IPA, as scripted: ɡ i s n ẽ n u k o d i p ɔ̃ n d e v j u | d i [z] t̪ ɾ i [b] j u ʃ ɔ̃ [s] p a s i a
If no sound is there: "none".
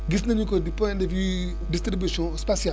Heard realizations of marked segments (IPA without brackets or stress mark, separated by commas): s, b, s